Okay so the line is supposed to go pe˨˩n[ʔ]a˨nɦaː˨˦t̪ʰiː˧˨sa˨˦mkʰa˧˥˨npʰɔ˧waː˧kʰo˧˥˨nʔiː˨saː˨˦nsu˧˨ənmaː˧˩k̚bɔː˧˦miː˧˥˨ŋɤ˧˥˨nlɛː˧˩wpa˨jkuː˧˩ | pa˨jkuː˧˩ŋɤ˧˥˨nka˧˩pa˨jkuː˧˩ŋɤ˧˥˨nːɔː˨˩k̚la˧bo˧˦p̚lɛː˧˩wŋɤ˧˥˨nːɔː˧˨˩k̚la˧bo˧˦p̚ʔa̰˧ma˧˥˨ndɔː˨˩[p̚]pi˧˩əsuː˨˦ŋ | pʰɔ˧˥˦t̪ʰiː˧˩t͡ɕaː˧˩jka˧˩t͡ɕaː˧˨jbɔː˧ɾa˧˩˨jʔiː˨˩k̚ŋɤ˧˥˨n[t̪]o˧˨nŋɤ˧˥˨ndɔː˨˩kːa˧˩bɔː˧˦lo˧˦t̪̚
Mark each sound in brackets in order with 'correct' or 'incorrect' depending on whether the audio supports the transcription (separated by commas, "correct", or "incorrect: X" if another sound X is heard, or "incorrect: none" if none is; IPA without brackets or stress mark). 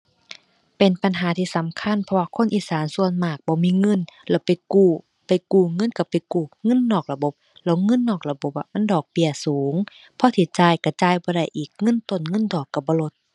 incorrect: p, incorrect: k̚, correct